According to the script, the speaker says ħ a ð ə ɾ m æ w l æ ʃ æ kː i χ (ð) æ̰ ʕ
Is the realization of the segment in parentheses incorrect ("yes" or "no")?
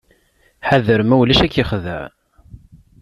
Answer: no